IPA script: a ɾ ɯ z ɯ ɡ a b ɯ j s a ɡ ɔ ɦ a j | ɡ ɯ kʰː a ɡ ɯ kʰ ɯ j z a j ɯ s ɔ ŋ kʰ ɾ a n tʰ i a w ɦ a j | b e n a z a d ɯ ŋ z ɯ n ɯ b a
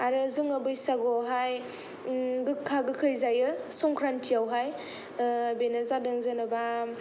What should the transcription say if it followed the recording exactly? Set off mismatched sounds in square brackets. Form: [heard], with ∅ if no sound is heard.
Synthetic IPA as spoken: a ɾ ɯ z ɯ [ŋ] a b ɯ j s a ɡ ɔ ɦ a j | ɡ ɯ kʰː a ɡ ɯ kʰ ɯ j z a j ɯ s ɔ ŋ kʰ ɾ a n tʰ i a w ɦ a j | b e n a z a d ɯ ŋ z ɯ n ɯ b a

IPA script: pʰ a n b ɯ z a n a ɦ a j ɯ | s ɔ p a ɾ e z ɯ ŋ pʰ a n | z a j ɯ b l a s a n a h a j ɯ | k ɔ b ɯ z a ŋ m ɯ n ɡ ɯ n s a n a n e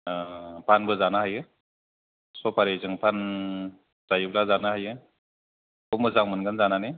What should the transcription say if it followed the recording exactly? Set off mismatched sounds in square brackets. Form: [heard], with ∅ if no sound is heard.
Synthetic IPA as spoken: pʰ a n b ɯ z a n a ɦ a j ɯ | s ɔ p a ɾ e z ɯ ŋ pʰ a n | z a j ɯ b l a [z] a n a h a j ɯ | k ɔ [m] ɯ z a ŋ m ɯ n ɡ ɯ n [z] a n a n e

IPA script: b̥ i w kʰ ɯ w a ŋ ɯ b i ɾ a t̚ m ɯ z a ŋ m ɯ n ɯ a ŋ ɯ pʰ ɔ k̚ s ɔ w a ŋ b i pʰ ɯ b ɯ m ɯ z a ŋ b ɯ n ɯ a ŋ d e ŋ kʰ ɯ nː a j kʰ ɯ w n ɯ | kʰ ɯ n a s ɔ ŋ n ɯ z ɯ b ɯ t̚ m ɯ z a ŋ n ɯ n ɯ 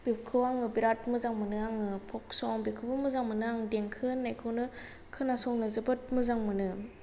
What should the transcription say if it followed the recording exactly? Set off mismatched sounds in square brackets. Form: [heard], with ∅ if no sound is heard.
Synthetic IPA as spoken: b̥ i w kʰ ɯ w a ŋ ɯ b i ɾ a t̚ m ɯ z a ŋ m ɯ n ɯ a ŋ ɯ pʰ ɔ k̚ s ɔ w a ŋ b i [kʰ] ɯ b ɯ m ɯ z a ŋ [m] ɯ n ɯ a ŋ d e ŋ kʰ ɯ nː a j kʰ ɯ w n ɯ | kʰ ɯ n a s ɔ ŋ n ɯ z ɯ b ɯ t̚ m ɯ z a ŋ [m] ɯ n ɯ

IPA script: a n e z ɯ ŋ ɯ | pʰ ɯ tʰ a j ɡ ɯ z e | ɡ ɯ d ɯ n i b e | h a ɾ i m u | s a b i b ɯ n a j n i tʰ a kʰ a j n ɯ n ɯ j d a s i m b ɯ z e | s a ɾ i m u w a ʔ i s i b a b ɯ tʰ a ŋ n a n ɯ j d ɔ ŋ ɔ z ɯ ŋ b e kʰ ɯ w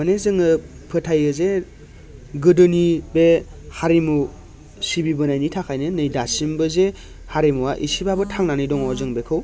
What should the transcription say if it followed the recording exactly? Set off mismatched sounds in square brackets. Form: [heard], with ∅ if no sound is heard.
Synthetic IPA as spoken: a n e z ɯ ŋ ɯ | pʰ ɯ tʰ a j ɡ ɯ z e | ɡ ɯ d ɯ n i b e | h a ɾ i m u | s [i] b i b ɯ n a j n i tʰ a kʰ a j n ɯ n ɯ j d a s i m b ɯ z e | [h] a ɾ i m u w a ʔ i s i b a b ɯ tʰ a ŋ n a n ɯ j d ɔ ŋ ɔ z ɯ ŋ b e kʰ ɯ w

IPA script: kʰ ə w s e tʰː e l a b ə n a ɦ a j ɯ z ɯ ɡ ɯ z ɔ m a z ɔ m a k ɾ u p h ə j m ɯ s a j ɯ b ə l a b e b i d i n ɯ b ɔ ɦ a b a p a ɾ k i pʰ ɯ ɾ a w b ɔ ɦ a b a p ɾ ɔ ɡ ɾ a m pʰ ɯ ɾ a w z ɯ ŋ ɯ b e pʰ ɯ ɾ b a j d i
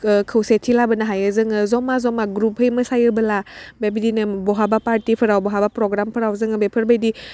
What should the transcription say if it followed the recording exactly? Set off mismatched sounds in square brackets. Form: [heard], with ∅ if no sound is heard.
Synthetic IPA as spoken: kʰ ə w s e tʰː [i] l a b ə n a ɦ a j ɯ z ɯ [ŋ] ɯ z ɔ m a z ɔ m a [ɡ] ɾ u p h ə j m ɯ s a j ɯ b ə l a b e b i d i n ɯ b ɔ ɦ a b a p a ɾ [t] i pʰ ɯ ɾ a w b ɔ ɦ a b a p ɾ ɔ ɡ ɾ a m pʰ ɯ ɾ a w z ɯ ŋ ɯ b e pʰ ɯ ɾ b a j d i

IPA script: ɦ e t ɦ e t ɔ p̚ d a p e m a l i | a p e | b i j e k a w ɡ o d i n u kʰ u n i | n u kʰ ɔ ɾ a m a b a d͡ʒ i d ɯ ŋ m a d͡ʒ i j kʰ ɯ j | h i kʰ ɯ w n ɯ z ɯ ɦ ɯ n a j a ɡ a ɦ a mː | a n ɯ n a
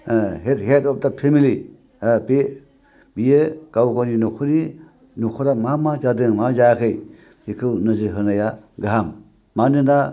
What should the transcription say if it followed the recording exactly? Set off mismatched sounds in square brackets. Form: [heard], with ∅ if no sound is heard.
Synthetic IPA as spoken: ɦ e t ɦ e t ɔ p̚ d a [pʰ] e m [i] l i | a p e | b i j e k a w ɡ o [n] i n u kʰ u n i | n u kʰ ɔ ɾ a m a [m] a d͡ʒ [a] d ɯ ŋ m a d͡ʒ [a] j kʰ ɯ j | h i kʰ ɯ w n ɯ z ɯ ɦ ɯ n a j a ɡ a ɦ a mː | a n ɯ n a

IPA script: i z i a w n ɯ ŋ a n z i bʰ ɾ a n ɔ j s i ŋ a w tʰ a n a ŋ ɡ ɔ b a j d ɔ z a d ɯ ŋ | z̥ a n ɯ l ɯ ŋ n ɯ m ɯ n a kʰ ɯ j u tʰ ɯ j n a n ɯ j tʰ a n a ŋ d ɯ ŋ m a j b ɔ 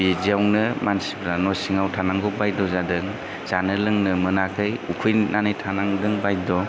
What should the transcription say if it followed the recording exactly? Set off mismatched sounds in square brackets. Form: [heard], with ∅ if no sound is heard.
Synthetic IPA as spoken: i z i a w n ɯ [m] a n [s] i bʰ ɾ a n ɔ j s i ŋ a w tʰ a n a ŋ ɡ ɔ b a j d ɔ z a d ɯ ŋ | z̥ a n ɯ l ɯ ŋ n ɯ m ɯ n a kʰ ɯ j u [kʰ] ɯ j n a n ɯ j tʰ a n a ŋ d ɯ ŋ [b] a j [d] ɔ

